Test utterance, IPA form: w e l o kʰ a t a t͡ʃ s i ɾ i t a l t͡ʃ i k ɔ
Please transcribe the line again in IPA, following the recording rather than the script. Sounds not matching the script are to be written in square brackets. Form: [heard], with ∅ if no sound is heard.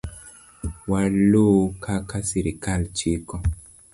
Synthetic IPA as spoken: w [a] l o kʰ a [k] a [∅] s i ɾ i [k] a l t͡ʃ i k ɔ